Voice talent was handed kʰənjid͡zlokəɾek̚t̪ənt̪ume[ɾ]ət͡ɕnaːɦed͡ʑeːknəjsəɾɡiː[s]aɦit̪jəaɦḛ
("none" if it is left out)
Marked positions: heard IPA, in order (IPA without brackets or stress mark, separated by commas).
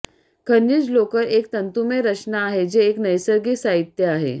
ɾ, s